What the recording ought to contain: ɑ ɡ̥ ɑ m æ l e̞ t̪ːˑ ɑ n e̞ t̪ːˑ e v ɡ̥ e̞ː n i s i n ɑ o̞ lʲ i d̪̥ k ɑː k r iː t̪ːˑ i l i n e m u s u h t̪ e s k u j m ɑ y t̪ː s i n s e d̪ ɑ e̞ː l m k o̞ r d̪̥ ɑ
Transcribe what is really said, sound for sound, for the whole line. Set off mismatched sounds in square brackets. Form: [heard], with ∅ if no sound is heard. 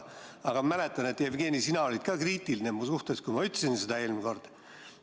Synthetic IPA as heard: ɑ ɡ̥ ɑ m æ l e̞ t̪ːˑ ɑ n e̞ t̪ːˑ e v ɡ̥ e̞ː n i s i n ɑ o̞ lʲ i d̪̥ k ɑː k r iː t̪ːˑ i l i n e m u s u h t̪ e s k u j m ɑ y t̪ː s i n s e d̪ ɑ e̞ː l m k o̞ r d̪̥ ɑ